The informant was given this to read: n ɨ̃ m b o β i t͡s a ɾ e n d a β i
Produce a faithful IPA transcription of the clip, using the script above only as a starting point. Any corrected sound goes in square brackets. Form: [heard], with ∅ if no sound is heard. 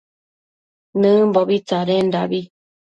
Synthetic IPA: n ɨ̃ m b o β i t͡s a ɾ e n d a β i